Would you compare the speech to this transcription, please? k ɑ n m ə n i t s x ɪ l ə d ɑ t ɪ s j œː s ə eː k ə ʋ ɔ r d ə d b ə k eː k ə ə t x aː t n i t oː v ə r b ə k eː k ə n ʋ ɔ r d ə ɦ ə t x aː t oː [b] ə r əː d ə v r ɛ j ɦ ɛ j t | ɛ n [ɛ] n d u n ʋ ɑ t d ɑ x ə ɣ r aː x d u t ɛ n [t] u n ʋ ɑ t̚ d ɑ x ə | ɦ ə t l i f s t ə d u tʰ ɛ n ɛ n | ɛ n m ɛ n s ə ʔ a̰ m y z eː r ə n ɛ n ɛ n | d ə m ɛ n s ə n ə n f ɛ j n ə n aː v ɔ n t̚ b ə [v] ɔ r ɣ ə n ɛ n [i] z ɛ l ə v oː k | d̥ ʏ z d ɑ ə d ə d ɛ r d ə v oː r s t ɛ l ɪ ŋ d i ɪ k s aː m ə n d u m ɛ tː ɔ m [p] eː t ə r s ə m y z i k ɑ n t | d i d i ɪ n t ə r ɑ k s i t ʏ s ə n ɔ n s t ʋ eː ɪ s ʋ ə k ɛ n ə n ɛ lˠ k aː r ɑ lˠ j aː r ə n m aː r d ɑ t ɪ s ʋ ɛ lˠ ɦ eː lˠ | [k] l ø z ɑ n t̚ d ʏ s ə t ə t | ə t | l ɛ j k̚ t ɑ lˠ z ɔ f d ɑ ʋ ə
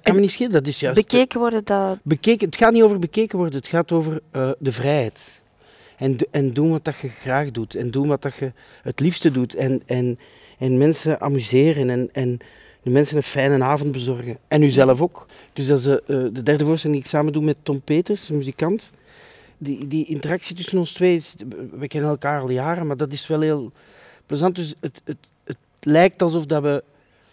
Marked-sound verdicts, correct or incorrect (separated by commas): incorrect, correct, incorrect, incorrect, incorrect, correct, incorrect